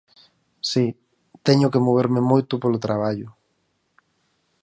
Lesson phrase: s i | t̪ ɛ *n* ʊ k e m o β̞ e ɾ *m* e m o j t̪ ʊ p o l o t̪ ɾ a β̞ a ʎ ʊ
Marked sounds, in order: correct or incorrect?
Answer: incorrect, correct

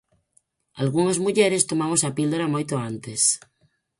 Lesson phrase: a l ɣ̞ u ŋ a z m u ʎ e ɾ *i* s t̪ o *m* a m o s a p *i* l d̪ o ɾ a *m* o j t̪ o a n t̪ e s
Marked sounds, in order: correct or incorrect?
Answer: incorrect, correct, correct, correct

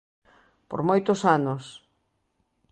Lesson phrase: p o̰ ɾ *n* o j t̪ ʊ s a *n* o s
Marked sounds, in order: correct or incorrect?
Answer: incorrect, correct

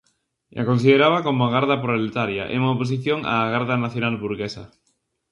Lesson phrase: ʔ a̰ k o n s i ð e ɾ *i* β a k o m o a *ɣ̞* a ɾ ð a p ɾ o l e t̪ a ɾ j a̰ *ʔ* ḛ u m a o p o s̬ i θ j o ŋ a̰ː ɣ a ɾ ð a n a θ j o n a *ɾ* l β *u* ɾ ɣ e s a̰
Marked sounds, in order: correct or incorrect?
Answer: incorrect, correct, correct, incorrect, correct

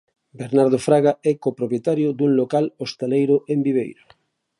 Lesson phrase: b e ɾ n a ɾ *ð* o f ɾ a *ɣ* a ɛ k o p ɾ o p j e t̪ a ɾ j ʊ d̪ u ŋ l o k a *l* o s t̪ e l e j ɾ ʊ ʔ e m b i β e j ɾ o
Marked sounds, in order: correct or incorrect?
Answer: correct, correct, correct

